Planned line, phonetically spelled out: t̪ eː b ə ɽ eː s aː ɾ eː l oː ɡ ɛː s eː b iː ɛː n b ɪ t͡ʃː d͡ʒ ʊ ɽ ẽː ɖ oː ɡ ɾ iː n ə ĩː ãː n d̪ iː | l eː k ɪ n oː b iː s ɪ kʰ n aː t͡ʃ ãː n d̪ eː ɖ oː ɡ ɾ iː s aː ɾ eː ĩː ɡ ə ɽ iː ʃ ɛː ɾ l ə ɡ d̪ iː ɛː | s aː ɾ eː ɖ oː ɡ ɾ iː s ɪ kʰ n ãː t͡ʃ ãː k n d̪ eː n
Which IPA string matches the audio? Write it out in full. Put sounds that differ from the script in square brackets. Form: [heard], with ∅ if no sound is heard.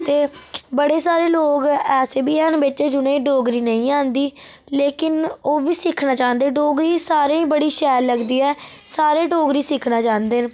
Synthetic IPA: t̪ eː b ə ɽ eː s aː ɾ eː l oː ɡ ɛː s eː b iː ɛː n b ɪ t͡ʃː d͡ʒ ʊ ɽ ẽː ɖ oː ɡ ɾ iː n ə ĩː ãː n d̪ iː | l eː k ɪ n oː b iː s ɪ kʰ n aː t͡ʃ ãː n d̪ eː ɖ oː ɡ ɾ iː s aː ɾ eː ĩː [b] ə ɽ iː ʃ ɛː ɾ l ə ɡ d̪ iː ɛː | s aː ɾ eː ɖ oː ɡ ɾ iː s ɪ kʰ n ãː t͡ʃ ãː [∅] n d̪ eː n